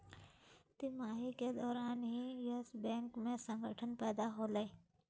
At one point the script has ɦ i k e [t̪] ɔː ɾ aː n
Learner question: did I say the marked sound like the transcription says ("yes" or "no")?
no